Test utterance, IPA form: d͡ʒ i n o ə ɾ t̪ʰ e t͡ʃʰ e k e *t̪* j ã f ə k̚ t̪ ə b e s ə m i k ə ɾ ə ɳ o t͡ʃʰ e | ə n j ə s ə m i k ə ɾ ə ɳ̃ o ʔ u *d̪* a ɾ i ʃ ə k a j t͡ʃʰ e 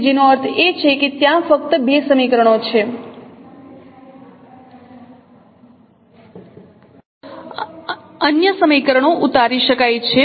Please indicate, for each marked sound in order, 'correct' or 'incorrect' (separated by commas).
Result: correct, incorrect